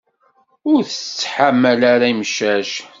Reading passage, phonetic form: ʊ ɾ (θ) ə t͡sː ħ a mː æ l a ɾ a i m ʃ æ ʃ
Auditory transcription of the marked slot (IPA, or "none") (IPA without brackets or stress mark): θ